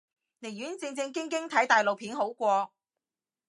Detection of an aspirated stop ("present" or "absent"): present